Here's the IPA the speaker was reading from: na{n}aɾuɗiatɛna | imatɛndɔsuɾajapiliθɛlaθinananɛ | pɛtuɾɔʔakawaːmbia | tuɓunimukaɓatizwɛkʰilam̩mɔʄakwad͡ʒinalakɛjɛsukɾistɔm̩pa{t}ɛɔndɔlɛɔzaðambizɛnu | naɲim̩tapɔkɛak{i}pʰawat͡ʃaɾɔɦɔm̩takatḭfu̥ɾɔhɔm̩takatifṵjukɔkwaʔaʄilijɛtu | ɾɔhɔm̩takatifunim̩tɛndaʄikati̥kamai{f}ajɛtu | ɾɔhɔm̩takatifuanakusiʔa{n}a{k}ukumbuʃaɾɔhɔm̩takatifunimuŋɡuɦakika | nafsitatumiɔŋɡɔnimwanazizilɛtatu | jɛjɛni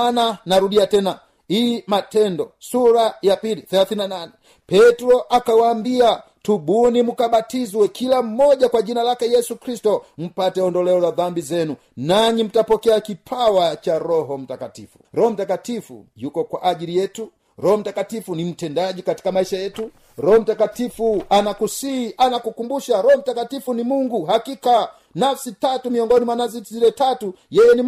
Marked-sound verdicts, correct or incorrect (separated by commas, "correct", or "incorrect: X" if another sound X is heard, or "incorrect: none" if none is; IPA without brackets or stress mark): correct, correct, correct, incorrect: ʃ, correct, correct